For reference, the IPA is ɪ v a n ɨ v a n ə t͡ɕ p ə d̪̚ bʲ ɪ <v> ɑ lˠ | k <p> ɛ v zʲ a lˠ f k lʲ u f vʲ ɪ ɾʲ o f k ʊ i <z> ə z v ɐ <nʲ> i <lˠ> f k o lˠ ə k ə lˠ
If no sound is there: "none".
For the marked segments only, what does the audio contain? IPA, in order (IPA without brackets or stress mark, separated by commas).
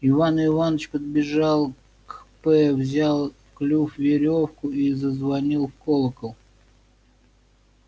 ʐ, p, z, nʲ, lˠ